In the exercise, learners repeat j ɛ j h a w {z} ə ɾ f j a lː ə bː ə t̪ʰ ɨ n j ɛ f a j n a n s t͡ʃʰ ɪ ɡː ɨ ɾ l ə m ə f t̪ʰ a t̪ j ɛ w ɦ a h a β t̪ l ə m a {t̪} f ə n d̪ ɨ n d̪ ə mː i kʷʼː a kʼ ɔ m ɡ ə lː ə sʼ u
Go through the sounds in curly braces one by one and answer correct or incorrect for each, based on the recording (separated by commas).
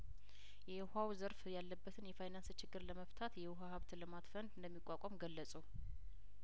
correct, correct